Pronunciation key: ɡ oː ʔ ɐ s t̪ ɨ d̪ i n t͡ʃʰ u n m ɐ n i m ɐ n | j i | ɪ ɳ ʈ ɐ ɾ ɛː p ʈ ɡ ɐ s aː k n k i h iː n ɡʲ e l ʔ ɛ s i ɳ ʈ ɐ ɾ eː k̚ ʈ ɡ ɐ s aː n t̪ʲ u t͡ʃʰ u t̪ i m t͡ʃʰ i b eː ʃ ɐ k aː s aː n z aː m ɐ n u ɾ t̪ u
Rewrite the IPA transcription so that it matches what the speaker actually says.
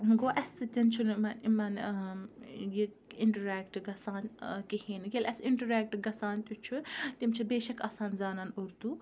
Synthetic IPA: ɡ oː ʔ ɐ s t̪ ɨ t̪ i n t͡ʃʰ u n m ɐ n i m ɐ n | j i | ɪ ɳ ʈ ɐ ɾ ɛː k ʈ ɡ ɐ s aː n k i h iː n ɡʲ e l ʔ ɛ s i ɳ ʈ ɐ ɾ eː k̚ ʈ ɡ ɐ s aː n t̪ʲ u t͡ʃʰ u t̪ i m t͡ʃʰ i b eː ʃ ɐ k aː s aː n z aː n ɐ n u ɾ t̪ u

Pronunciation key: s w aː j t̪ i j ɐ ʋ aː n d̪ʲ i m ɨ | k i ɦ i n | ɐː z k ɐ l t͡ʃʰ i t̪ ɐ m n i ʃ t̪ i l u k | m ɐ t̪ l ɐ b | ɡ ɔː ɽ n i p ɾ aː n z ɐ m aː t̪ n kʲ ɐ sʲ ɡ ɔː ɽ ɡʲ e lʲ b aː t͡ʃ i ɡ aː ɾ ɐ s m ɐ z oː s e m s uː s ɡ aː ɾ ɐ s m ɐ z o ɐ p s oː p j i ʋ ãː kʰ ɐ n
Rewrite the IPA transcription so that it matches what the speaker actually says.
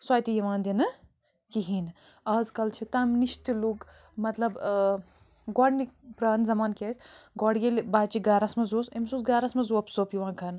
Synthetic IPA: s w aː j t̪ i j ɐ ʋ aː n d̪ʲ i n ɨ | k i ɦ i n | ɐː z k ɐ l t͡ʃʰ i t̪ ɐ m n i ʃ t̪ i l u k | m ɐ t̪ l ɐ b | ɡ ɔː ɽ n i p ɾ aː n z ɐ m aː n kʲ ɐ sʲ ɡ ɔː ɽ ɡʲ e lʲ b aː t͡ʃ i ɡ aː ɾ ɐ s m ɐ z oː s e m s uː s ɡ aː ɾ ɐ s m ɐ z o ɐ p s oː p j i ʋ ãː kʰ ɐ n

